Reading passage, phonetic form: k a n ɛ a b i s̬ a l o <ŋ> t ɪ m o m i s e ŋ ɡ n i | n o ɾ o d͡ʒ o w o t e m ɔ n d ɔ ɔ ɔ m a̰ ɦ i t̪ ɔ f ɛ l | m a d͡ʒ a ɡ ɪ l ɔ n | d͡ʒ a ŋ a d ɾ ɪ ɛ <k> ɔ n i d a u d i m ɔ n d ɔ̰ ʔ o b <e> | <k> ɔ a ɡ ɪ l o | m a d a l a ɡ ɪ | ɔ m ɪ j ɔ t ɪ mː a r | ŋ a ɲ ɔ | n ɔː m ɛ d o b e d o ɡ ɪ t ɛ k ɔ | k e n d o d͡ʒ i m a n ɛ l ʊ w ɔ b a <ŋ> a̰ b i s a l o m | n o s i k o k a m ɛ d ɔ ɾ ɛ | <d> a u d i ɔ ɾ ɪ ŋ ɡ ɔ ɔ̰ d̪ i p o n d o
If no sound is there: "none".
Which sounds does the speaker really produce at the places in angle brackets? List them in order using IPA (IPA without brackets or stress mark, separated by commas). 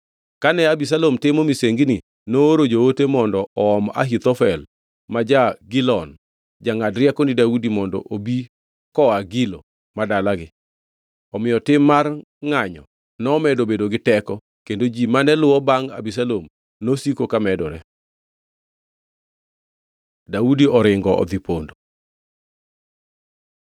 m, k, i, k, ŋ, d